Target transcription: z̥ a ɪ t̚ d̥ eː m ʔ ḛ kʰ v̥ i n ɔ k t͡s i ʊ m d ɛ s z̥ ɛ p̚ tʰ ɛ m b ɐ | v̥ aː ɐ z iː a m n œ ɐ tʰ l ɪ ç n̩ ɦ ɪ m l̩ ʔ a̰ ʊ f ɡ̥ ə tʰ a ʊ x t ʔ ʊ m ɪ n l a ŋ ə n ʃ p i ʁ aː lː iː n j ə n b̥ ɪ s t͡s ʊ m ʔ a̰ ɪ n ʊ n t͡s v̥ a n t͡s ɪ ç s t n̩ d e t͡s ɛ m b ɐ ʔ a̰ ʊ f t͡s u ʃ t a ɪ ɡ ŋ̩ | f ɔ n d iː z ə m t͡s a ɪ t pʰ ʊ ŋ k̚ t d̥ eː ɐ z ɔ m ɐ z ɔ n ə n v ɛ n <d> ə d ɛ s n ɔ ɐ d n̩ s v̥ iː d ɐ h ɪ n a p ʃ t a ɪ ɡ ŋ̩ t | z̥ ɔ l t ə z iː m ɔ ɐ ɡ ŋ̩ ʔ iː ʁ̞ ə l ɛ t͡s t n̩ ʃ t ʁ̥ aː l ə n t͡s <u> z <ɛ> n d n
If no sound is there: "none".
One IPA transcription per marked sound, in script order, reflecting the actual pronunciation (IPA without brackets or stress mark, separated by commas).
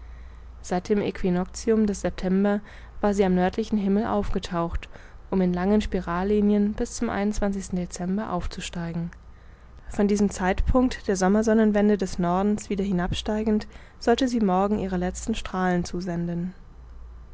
d, uː, ɛ